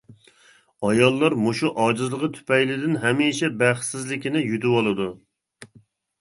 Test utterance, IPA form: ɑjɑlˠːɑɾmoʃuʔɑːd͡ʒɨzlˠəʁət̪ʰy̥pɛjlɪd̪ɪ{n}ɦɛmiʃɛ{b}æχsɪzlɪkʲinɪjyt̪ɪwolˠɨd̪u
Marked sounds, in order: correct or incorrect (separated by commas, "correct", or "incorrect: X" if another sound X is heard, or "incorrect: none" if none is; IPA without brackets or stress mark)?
correct, correct